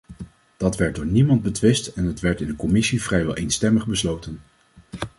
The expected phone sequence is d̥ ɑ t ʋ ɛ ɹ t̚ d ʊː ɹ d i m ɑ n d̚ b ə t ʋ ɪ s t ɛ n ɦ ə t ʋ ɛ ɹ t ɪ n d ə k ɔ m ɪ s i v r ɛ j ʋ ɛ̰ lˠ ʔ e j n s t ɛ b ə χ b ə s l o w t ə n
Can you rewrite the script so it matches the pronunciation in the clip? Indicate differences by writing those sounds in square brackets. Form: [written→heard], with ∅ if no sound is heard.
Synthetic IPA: d̥ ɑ t ʋ ɛ ɹ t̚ d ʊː ɹ [d→n] i m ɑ n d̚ b ə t ʋ ɪ s t ɛ n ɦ ə t ʋ ɛ ɹ t ɪ n d ə k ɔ m ɪ s i v r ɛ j ʋ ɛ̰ lˠ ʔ e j n s t ɛ [b→m] ə χ b ə s l o w t ə n